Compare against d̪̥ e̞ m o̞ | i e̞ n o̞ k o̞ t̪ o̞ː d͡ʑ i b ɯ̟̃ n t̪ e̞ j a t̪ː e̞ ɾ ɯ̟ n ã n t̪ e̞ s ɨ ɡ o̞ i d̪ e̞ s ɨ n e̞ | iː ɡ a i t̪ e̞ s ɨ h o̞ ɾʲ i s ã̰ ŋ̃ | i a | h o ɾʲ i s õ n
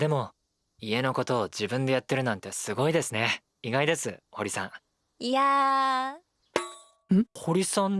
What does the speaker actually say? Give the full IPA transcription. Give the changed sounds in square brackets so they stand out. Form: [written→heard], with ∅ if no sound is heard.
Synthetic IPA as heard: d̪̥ e̞ m o̞ | i e̞ n o̞ k o̞ t̪ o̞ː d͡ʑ i b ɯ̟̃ n [t̪→d̪] e̞ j a t̪ː e̞ ɾ ɯ̟ n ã n t̪ e̞ s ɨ ɡ o̞ i d̪ e̞ s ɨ n e̞ | [iː→i] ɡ a i [t̪→d̪] e̞ s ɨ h o̞ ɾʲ i s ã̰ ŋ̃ | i a | h o ɾʲ i s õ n

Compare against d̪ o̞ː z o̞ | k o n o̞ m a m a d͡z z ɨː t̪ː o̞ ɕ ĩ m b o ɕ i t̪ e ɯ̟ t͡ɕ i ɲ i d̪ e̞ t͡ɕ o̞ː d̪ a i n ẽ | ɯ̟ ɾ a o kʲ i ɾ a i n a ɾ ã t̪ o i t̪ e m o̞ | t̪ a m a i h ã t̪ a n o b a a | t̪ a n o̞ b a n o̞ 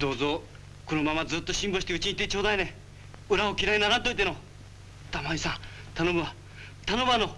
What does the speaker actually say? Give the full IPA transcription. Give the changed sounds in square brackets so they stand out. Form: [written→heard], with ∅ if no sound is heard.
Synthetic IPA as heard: d̪ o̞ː z o̞ | k o n o̞ m a m a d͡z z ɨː t̪ː o̞ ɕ ĩ m b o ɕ i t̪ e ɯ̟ t͡ɕ i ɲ i [d̪→t̪] e̞ t͡ɕ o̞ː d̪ a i n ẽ | ɯ̟ ɾ a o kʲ i ɾ a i n a ɾ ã t̪ o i t̪ e [m→n] o̞ | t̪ a m a i [h→s] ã t̪ a n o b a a | t̪ a n o̞ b a n o̞

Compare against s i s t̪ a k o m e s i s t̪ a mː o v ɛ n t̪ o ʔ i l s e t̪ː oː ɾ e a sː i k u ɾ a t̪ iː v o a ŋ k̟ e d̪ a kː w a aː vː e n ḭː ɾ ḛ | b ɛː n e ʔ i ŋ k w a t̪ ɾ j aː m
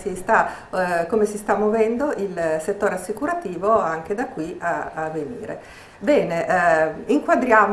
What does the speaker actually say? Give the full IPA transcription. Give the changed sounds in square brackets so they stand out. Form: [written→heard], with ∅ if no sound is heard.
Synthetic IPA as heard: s i s t̪ a k o m e s i s t̪ a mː o v ɛ n [t̪→d̪] o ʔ i l s e t̪ː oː ɾ e a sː i k u ɾ a t̪ iː v o a ŋ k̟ e d̪ a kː w [a→i] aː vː e n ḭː ɾ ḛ | b ɛː n e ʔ i ŋ k w a [t̪→d̪] ɾ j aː m

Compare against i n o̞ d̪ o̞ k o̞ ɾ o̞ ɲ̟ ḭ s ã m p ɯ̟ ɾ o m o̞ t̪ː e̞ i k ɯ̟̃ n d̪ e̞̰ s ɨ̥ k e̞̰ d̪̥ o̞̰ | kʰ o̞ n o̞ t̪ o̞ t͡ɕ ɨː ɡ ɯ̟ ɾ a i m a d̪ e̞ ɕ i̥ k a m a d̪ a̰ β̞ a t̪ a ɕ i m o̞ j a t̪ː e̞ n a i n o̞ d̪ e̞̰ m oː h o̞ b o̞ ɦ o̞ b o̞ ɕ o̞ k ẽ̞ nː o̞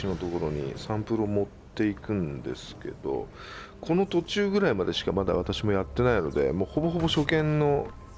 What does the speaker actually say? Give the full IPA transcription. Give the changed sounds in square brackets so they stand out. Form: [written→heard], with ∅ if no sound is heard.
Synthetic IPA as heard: i n o̞ [d̪→t̪] o̞ k o̞ ɾ o̞ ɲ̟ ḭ s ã m p ɯ̟ ɾ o m o̞ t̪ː e̞ i k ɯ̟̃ n d̪ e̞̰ s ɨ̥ k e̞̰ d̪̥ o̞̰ | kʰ o̞ n o̞ t̪ o̞ t͡ɕ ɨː ɡ ɯ̟ ɾ a i m a d̪ e̞ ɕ i̥ k a m a d̪ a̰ β̞ a t̪ a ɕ i m o̞ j a t̪ː e̞ n a i n o̞ d̪ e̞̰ m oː h o̞ b o̞ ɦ o̞ b o̞ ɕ o̞ k ẽ̞ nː o̞

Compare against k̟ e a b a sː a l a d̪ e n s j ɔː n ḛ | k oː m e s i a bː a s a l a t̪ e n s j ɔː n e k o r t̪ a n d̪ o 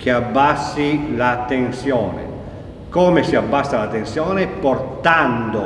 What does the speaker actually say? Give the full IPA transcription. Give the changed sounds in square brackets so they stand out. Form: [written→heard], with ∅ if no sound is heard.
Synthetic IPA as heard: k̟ e a [b→bː] a sː [a→i] l a [d̪→t̪] e n s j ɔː n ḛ | k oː m e s i a bː a [s→sː] a l a t̪ e n s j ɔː n e [k→p] o r t̪ a n d̪ o

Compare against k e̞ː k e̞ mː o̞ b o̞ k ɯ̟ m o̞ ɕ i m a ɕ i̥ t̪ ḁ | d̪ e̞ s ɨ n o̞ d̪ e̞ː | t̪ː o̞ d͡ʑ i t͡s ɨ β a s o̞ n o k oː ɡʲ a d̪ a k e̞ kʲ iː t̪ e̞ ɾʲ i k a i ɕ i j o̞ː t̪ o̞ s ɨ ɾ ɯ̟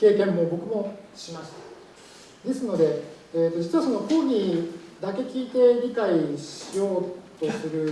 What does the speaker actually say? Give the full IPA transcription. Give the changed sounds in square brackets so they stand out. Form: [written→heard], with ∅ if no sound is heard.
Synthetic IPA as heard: k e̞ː k [e̞→ẽ̞] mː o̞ b o̞ k ɯ̟ m o̞ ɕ i m a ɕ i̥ t̪ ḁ | d̪ e̞ s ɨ n o̞ d̪ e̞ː | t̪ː o̞ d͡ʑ i t͡s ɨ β a s o̞ n o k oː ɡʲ [a→i] d̪ a k e̞ kʲ iː t̪ e̞ ɾʲ i k a i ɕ i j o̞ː t̪ o̞ s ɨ ɾ ɯ̟

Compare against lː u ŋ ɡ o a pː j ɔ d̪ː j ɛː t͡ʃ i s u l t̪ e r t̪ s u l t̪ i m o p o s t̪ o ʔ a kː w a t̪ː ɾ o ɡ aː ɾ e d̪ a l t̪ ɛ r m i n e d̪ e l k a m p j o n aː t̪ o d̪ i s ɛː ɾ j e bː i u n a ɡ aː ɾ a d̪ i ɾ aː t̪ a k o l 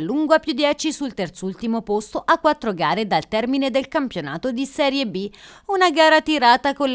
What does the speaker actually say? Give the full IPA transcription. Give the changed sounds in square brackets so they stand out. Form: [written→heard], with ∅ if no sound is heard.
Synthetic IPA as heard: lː u ŋ ɡ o a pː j [ɔ→u] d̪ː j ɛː t͡ʃ i s u l t̪ e r t̪ s u l t̪ i m o p o s t̪ o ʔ a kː w a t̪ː ɾ o ɡ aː ɾ e d̪ a l t̪ ɛ r m i n e d̪ e l k a m p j o n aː t̪ o d̪ i s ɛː ɾ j e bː i u n a ɡ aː ɾ a [d̪→t̪] i ɾ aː t̪ a k o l

